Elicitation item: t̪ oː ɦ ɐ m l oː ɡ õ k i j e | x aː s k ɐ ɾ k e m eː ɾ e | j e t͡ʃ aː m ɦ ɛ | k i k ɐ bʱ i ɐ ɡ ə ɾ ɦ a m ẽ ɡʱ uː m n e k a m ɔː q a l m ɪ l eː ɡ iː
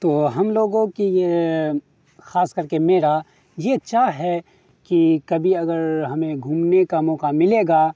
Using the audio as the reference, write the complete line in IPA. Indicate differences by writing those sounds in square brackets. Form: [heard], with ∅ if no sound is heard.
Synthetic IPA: t̪ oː ɦ ɐ m l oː ɡ õ k i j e | x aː s k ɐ ɾ k e m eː ɾ [a] | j e t͡ʃ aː [∅] ɦ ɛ | k i k ɐ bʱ i ɐ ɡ ə ɾ ɦ [ɐ] m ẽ ɡʱ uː m n e k a m ɔː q a [∅] m ɪ l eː ɡ [aː]